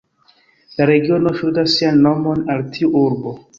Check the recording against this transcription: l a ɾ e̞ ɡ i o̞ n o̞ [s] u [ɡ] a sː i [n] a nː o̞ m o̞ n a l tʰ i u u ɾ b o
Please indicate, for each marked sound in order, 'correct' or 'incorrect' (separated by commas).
incorrect, incorrect, incorrect